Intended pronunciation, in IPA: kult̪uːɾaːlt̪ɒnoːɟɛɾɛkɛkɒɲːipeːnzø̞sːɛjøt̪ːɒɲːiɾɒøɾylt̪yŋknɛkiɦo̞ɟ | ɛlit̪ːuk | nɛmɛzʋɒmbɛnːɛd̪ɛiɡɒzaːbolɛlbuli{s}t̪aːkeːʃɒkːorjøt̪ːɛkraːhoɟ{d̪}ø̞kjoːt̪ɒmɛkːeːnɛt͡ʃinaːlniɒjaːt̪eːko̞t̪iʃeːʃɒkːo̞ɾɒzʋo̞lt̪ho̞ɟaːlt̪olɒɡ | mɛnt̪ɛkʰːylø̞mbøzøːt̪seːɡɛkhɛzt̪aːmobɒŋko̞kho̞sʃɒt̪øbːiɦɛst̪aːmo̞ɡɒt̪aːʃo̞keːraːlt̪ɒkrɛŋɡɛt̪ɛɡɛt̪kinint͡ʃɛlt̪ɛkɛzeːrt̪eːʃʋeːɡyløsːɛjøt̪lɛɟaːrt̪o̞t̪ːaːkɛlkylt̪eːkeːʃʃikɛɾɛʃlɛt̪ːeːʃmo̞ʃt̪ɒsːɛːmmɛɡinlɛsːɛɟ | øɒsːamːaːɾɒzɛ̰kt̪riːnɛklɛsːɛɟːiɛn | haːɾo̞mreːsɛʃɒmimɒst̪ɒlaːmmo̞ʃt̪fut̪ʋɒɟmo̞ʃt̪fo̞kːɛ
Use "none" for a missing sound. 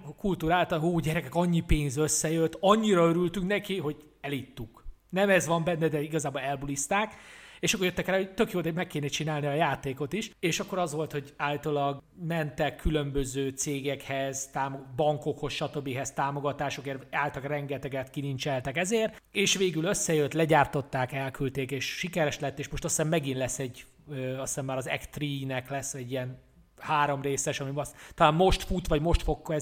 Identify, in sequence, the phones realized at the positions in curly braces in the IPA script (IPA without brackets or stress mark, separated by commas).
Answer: s, t̪